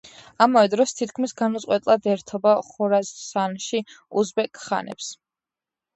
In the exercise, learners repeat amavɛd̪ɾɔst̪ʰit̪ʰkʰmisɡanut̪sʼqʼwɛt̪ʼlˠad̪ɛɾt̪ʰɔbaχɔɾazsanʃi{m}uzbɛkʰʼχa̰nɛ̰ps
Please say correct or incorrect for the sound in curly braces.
incorrect: none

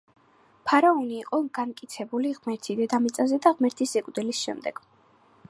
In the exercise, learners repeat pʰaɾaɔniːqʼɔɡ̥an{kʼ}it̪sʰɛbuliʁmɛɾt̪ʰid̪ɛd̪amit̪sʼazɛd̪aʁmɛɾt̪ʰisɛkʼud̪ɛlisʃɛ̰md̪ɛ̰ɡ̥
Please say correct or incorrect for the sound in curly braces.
correct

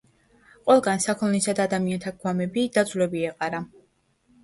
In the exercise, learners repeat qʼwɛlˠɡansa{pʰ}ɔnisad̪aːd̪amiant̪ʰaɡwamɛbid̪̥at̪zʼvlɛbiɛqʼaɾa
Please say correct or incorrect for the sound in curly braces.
incorrect: kʰ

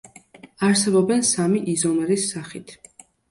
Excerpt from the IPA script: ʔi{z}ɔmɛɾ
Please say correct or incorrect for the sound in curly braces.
correct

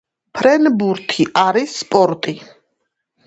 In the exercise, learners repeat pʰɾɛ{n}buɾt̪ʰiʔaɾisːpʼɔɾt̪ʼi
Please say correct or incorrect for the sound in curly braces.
correct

